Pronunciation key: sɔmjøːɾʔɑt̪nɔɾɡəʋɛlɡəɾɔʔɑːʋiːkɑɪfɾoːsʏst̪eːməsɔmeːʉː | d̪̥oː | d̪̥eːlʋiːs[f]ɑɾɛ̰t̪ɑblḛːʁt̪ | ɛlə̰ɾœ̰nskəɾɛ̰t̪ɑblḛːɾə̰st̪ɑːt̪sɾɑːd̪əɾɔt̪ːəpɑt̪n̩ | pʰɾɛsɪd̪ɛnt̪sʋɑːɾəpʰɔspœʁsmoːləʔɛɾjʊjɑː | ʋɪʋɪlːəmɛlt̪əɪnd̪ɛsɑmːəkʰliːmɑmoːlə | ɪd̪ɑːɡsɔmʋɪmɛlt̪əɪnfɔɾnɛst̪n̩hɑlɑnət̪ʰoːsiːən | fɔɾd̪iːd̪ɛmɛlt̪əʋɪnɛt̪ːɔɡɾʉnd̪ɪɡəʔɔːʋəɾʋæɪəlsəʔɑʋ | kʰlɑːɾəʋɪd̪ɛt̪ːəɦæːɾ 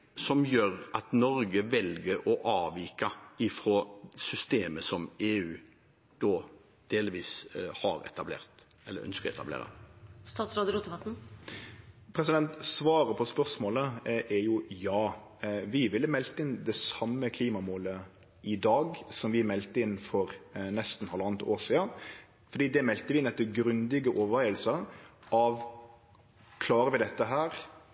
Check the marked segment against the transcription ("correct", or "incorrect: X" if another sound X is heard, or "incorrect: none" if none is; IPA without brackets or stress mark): incorrect: h